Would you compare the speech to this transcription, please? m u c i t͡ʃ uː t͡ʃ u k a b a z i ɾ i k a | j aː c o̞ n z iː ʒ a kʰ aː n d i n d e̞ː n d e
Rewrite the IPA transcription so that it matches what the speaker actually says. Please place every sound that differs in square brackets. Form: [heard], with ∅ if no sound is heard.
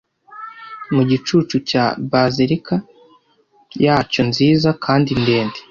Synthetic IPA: m u [ɟ] i t͡ʃ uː t͡ʃ u [c] a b a z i ɾ i k a | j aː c o̞ n z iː [z] a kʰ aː n d i n d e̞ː n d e